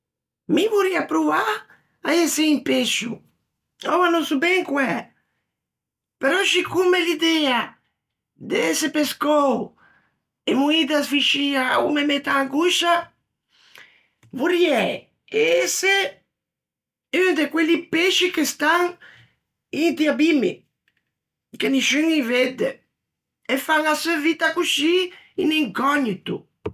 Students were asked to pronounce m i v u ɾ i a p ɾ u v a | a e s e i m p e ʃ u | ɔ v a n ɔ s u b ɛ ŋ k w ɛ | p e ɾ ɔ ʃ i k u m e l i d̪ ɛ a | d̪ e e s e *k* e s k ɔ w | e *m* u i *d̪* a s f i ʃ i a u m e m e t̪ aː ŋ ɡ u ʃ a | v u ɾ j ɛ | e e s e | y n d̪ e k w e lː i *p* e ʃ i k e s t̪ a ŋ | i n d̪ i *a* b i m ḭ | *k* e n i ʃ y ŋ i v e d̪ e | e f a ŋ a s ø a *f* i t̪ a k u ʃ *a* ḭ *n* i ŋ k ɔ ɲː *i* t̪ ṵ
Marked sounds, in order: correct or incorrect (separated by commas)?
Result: incorrect, correct, correct, correct, correct, correct, incorrect, incorrect, correct, correct